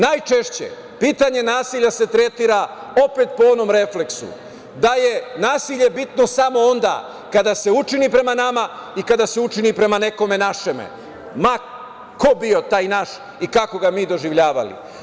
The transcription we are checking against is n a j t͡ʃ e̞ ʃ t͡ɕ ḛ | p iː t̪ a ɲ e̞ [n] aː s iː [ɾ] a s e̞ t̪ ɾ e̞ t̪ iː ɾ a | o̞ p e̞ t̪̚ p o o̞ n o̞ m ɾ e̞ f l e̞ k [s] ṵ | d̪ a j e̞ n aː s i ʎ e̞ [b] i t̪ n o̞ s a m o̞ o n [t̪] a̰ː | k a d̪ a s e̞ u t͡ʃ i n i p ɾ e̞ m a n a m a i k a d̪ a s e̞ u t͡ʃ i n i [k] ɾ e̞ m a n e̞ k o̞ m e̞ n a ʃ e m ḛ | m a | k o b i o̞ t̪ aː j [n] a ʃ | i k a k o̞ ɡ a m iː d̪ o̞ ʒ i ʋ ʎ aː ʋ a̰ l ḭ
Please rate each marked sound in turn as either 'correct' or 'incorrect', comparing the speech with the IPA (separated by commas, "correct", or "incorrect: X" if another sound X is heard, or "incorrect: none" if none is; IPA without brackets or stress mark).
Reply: correct, incorrect: ʎ, correct, correct, incorrect: d̪, incorrect: p, correct